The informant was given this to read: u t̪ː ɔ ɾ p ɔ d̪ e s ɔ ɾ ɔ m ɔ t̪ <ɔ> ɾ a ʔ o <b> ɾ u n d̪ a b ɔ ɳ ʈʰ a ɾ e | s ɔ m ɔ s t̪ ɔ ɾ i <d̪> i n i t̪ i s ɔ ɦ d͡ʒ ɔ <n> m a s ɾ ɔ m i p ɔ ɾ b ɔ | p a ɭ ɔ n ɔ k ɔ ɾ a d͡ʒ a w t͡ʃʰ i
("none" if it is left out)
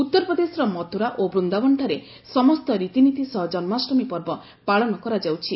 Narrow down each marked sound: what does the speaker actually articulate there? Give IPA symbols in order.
u, b, t̪, n

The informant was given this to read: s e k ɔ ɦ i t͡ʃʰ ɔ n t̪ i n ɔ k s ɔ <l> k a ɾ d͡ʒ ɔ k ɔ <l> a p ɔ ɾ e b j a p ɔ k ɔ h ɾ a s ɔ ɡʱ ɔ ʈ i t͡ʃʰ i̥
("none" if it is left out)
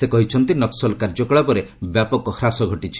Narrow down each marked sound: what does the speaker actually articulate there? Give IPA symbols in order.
l, ɭ

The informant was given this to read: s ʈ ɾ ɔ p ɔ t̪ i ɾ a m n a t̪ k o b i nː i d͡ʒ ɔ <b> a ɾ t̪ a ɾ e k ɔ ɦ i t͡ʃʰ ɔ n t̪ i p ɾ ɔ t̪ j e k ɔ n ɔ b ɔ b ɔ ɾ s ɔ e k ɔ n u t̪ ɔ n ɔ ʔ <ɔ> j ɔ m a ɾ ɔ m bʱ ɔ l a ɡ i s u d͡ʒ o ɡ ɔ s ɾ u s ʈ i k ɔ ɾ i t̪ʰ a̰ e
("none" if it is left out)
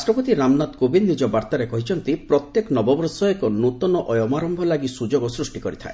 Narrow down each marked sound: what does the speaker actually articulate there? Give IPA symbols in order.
b, ɔ

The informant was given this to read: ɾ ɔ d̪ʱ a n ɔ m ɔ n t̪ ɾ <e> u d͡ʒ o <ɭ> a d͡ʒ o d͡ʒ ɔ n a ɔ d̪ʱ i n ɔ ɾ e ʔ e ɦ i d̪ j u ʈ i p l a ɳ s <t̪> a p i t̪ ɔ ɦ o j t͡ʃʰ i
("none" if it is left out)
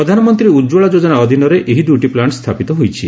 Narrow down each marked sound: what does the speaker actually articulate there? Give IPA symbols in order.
i, ɭ, t̪ʰ

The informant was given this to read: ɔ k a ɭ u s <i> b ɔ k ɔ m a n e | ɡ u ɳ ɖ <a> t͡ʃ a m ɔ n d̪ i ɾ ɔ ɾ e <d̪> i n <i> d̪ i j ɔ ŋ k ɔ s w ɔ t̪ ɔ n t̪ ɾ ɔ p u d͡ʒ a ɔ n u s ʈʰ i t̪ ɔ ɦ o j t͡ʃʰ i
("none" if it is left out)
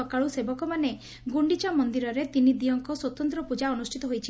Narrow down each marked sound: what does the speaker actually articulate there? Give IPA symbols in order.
e, i, t̪, i

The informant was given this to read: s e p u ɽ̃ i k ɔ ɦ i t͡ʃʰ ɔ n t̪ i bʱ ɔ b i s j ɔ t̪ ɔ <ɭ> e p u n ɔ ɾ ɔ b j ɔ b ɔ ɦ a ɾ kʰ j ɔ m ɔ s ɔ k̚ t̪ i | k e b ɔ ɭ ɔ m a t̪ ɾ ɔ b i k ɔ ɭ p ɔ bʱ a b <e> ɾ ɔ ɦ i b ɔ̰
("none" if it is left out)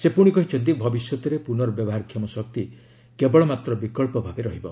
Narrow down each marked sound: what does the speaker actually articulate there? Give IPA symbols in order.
ɾ, e

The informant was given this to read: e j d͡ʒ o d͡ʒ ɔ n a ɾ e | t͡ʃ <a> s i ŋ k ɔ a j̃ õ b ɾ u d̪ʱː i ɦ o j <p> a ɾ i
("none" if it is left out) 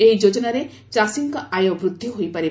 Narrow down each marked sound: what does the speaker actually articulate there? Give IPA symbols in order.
a, p

